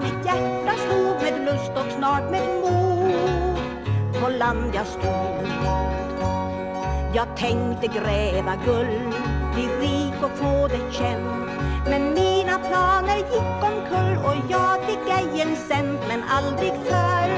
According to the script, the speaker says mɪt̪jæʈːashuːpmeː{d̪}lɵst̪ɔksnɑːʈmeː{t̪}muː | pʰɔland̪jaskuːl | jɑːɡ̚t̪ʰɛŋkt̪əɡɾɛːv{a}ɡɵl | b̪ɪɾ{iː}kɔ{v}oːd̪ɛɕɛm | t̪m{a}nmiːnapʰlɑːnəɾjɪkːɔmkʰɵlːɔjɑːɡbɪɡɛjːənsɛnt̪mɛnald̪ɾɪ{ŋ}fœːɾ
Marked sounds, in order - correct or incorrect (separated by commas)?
correct, incorrect, correct, correct, incorrect, incorrect, incorrect